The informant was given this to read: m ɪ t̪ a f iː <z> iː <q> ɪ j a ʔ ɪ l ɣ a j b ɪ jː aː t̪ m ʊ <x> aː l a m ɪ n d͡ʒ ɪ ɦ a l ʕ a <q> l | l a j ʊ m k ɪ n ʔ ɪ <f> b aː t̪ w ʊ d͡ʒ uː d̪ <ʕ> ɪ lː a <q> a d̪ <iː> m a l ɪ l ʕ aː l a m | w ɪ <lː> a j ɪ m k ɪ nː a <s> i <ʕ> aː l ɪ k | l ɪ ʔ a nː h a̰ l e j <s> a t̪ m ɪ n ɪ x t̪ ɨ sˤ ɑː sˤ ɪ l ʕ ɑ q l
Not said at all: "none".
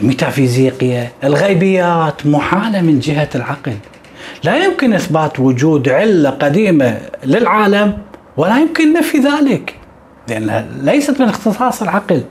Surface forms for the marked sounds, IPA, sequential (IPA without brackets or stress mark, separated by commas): z, q, ħ, q, θ, ʕ, q, iː, l, f, ð, s